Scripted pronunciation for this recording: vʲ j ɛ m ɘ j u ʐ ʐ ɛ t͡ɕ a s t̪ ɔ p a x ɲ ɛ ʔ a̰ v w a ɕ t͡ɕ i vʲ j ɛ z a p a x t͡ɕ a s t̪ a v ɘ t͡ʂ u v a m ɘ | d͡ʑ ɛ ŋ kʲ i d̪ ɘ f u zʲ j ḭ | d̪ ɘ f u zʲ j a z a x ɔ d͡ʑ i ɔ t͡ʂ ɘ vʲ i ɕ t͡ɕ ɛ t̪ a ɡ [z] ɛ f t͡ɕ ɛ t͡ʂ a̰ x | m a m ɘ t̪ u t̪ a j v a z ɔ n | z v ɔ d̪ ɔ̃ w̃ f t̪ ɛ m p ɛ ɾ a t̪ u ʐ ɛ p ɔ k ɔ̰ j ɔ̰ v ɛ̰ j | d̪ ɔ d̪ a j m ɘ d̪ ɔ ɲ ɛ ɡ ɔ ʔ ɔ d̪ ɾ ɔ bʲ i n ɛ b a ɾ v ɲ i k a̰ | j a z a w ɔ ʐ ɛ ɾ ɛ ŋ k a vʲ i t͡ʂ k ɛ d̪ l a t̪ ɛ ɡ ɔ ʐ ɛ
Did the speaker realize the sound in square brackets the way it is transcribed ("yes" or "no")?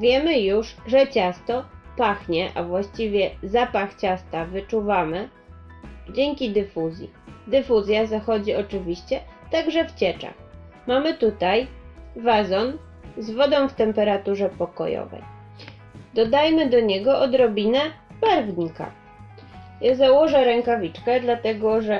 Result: no